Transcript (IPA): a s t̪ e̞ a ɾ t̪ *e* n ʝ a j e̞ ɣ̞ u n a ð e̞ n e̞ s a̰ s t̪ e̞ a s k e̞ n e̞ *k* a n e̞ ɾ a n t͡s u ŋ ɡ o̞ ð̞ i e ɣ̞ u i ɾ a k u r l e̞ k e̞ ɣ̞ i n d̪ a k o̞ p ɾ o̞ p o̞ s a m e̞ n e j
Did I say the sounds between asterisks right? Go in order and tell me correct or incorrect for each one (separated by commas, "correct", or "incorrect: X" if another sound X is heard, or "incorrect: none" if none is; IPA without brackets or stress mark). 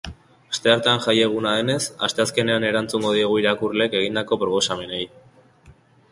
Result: incorrect: a, incorrect: none